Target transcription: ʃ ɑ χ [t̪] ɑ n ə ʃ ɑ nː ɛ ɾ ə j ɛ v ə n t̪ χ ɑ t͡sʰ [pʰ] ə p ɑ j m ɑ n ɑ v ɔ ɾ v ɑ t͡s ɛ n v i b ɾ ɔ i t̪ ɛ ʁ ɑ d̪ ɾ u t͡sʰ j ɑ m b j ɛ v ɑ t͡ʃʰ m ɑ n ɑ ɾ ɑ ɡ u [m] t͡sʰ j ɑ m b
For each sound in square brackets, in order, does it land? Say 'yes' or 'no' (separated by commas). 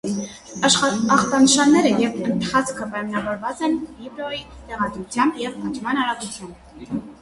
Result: yes, no, no